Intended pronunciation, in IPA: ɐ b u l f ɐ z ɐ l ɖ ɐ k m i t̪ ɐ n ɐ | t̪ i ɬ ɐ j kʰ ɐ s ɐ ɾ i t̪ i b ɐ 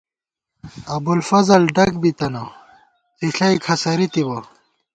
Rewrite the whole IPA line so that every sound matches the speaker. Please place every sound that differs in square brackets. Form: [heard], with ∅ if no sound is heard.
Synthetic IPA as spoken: ɐ b u l f ɐ z ɐ l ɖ ɐ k [b] i t̪ ɐ n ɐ | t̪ i ɬ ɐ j kʰ ɐ s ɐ ɾ i t̪ i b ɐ